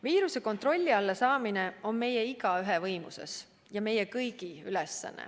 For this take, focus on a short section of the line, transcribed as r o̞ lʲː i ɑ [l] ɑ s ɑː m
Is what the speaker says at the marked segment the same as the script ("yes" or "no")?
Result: no